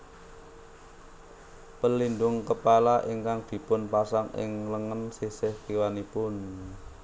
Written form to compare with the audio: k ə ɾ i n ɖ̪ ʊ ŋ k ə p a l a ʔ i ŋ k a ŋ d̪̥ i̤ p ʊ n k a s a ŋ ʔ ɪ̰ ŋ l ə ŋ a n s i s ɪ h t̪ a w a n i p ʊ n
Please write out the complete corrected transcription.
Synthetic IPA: p ə l i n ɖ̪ ʊ ŋ k ə p a l a ʔ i ŋ k a ŋ d̪̥ i̤ p ʊ n p a s a ŋ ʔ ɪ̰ ŋ l ə ŋ ə n s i s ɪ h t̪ i w a n i p ʊ n